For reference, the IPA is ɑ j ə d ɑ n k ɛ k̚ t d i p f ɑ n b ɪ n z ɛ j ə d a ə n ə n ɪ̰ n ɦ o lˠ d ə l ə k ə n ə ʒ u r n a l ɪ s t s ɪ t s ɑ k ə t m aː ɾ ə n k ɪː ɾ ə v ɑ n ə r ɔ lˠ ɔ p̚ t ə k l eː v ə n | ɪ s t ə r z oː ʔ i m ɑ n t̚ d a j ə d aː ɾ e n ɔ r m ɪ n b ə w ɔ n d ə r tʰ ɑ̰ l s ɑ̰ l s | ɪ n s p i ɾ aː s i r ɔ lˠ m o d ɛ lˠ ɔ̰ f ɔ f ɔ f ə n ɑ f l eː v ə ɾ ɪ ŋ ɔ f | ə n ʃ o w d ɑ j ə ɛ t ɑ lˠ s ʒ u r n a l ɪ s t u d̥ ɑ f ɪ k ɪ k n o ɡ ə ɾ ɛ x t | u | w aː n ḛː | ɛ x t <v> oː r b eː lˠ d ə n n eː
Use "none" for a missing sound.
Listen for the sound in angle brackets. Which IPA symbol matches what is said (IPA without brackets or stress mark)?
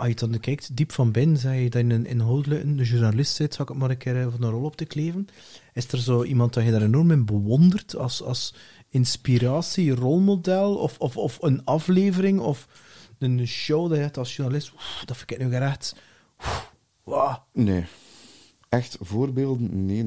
v